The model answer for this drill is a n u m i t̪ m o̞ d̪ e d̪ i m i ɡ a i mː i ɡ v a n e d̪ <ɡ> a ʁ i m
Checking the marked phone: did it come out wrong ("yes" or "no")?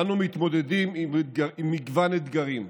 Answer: no